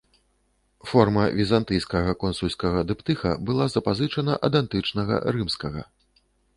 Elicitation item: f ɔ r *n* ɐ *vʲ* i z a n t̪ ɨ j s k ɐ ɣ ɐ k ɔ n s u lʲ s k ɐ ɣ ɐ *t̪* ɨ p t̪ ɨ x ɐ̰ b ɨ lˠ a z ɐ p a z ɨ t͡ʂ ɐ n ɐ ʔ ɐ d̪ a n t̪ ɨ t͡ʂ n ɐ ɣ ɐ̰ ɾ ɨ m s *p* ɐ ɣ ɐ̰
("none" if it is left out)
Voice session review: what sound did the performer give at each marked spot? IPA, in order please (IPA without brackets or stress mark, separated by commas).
m, vʲ, d̪, k